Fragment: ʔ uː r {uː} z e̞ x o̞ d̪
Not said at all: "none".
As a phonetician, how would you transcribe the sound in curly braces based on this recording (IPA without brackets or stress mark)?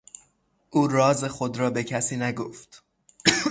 ɒː